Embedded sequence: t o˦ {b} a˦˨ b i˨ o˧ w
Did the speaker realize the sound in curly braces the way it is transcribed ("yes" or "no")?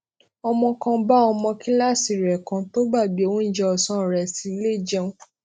yes